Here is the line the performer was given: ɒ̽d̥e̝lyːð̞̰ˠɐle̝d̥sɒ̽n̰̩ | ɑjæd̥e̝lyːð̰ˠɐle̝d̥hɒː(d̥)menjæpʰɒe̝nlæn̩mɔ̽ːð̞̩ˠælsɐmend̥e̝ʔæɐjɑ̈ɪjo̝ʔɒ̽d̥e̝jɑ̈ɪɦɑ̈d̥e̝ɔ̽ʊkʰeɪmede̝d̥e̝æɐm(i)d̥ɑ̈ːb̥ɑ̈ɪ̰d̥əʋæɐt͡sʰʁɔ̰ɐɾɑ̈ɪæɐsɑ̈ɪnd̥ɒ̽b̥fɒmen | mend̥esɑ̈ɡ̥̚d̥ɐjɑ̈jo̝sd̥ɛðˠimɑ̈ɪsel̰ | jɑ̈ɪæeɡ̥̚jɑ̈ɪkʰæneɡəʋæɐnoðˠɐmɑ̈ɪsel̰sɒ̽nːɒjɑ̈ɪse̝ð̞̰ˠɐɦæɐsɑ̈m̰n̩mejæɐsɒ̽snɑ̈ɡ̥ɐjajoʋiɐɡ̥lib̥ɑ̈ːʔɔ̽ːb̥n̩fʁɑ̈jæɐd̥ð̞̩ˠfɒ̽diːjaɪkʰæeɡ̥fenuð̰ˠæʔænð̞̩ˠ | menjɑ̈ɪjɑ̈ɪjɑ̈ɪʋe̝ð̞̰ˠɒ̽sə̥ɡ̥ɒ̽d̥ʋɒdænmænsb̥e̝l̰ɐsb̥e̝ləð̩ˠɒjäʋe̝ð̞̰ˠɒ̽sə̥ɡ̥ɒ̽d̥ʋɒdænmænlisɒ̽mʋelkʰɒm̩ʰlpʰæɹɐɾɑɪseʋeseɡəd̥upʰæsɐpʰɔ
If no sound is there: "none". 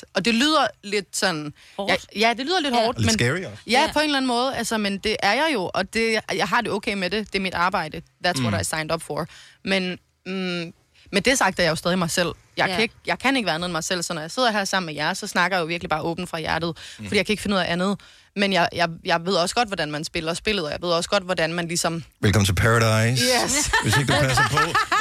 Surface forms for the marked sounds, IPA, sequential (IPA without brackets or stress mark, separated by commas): d̥, i